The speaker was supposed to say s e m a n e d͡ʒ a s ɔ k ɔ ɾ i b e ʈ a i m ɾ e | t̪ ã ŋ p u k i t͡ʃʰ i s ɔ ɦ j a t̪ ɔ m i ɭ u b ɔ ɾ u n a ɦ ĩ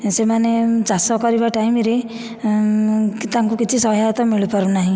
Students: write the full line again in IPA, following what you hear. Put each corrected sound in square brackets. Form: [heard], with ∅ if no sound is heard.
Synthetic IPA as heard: s e m a n e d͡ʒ a s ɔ k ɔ ɾ i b [a] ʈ a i m ɾ e | t̪ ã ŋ [k] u k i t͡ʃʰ i s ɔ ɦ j a t̪ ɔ m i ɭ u [p] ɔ ɾ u n a ɦ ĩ

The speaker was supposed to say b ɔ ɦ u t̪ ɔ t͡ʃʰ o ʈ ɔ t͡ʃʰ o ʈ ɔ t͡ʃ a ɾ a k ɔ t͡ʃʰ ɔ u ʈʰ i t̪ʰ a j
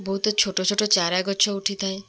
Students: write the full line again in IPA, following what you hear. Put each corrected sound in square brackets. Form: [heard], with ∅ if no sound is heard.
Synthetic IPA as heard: b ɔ ɦ u t̪ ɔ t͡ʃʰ o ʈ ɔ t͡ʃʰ o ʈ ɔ t͡ʃ a ɾ a [ɡ] ɔ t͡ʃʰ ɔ u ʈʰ i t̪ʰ a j

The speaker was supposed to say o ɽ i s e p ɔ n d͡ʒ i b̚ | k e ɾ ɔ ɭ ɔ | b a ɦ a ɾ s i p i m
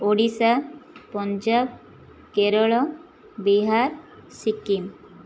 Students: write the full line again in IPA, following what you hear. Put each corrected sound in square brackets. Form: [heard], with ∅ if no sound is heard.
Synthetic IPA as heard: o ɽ i s [a] p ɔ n d͡ʒ [a] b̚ | k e ɾ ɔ ɭ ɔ | b [i] ɦ a ɾ s i [k] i m

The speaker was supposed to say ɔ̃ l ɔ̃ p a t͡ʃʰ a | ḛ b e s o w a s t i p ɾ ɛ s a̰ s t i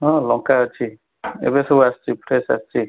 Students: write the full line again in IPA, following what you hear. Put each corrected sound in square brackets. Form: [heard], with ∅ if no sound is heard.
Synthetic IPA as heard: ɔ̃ l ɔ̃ [k] a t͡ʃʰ [i] | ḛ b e s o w a s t i p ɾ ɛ s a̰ s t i

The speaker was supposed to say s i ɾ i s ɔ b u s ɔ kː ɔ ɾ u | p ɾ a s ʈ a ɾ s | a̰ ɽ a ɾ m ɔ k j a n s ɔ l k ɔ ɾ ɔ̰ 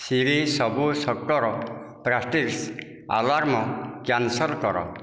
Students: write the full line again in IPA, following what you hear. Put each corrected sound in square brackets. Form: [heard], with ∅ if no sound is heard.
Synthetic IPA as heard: s i ɾ i s ɔ b u s ɔ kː ɔ ɾ [ɔ] | p ɾ a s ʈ [i] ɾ s | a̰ [l] a ɾ m ɔ k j a n s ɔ l k ɔ ɾ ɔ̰

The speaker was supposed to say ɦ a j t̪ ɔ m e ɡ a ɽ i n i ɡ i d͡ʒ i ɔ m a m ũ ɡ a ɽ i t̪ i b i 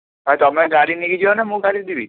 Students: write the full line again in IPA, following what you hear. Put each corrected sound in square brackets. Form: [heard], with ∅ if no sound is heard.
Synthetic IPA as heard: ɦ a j t̪ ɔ m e ɡ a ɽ i n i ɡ i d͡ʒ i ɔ [n] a m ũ ɡ a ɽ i [d̪] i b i

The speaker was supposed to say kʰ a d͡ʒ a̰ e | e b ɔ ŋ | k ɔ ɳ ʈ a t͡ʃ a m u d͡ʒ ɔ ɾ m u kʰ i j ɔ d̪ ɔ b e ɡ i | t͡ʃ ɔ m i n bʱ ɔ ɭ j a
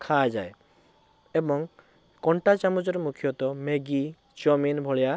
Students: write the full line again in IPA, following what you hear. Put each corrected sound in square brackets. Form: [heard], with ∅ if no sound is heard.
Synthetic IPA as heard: kʰ a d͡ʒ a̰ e | e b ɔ ŋ | k ɔ ɳ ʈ a t͡ʃ a m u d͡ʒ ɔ ɾ m u kʰ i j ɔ [t̪] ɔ [m] e ɡ i | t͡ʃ ɔ m i n bʱ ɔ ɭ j a

